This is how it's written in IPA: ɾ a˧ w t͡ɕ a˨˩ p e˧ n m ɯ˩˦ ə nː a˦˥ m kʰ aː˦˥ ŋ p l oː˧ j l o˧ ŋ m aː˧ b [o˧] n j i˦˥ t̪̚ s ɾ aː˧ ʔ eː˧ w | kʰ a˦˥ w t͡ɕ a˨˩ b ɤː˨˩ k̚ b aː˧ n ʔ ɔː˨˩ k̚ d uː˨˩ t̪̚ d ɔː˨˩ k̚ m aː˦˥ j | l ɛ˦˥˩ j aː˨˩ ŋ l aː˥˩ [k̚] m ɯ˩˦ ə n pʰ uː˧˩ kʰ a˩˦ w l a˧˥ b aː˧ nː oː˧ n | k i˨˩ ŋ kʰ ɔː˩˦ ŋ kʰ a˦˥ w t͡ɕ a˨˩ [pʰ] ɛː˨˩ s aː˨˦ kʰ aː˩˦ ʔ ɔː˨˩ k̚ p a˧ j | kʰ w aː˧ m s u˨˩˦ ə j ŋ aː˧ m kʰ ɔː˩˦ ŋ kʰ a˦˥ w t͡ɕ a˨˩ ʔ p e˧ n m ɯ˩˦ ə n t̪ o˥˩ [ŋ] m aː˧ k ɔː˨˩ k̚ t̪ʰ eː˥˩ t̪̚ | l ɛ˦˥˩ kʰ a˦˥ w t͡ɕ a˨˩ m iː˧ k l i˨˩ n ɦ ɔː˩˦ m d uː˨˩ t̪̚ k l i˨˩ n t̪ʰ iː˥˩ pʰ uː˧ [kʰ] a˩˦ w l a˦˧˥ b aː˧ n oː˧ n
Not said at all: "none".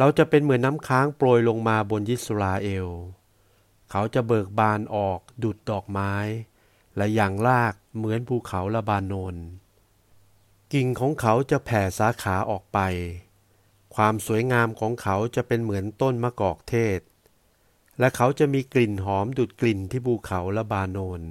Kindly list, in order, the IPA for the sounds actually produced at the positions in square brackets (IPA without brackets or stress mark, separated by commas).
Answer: o˧, k̚, pʰ, n, kʰ